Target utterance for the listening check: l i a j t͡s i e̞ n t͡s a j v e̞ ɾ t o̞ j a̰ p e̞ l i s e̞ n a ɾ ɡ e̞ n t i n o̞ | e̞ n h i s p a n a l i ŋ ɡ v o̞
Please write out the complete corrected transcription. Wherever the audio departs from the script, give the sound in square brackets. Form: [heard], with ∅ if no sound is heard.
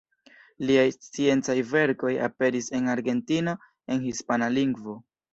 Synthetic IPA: l i a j t͡s i e̞ n t͡s a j v e̞ ɾ [k] o̞ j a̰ p e̞ [ɾ] i s e̞ n a ɾ ɡ e̞ n t i n o̞ | e̞ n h i s p a n a l i ŋ ɡ v o̞